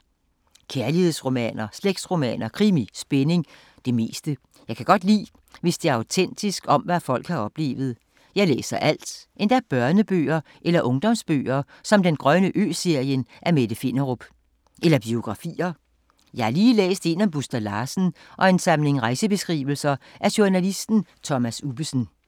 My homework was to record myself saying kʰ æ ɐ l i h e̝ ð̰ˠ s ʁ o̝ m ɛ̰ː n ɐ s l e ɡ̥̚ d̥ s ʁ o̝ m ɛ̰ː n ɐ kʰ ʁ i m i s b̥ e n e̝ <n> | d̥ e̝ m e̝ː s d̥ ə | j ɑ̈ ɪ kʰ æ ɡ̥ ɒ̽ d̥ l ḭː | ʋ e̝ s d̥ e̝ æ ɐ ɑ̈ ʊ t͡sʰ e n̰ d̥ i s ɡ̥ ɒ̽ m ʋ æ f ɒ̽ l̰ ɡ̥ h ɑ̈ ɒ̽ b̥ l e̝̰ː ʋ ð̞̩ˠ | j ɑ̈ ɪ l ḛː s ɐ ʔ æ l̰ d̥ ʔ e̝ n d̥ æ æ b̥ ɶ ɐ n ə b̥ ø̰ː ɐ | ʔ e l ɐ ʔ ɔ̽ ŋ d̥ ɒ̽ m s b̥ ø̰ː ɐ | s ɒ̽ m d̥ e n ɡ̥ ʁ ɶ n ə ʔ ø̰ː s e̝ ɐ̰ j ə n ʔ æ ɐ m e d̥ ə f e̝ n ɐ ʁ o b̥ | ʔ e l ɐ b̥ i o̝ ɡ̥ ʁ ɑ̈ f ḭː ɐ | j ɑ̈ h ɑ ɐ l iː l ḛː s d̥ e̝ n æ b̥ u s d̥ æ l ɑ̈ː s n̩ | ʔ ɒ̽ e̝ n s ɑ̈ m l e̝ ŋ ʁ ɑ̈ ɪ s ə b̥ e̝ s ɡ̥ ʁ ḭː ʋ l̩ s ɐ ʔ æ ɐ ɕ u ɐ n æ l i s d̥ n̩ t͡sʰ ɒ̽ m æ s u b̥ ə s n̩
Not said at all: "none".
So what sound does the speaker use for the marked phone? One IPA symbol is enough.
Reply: ŋ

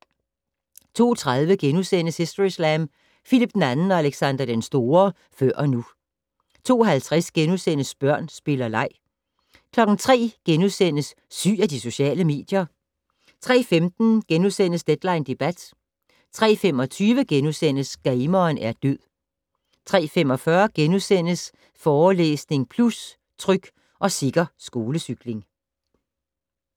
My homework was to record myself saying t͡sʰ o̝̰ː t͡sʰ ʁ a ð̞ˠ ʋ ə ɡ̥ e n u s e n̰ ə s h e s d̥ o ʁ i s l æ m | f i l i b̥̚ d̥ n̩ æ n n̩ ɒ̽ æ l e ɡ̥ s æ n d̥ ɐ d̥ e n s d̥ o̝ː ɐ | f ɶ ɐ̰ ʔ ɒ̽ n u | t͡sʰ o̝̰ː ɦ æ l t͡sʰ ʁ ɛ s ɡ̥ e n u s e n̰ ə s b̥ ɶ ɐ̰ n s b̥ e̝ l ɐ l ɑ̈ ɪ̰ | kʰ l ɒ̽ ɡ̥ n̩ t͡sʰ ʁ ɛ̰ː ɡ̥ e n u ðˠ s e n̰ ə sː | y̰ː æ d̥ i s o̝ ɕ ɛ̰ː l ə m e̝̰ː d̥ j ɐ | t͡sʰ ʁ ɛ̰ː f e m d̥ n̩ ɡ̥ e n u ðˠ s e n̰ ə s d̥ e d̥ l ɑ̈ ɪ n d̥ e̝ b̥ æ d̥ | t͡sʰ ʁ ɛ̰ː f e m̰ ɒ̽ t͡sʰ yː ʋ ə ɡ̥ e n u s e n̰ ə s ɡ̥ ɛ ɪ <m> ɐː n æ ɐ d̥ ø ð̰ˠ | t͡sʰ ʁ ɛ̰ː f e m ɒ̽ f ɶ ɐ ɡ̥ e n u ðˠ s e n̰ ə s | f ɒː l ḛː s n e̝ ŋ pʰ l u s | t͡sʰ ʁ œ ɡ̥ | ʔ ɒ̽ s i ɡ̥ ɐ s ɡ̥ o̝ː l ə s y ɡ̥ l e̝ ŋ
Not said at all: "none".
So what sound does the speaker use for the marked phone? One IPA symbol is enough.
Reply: m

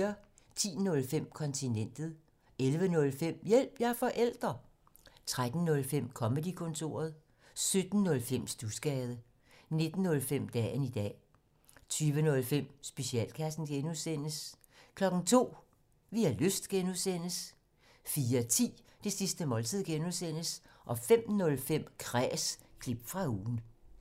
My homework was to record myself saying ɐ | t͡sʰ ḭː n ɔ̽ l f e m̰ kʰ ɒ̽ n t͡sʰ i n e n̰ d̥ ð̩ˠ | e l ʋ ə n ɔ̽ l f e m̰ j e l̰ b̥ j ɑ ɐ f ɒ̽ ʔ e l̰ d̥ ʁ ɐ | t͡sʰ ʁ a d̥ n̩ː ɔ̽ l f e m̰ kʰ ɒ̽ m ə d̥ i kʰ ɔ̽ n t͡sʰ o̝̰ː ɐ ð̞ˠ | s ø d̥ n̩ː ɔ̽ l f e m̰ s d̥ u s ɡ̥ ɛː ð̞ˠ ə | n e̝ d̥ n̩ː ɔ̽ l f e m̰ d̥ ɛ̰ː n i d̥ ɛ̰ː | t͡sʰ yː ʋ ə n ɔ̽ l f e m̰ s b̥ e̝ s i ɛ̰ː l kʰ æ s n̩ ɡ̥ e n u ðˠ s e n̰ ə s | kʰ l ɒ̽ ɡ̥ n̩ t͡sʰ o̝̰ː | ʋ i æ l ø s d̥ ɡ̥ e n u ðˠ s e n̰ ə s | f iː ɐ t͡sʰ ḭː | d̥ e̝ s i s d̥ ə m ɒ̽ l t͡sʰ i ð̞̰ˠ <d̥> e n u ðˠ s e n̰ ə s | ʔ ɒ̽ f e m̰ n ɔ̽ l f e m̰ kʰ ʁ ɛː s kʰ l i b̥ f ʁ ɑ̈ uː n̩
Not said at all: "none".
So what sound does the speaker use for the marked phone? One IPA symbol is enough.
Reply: ɡ̥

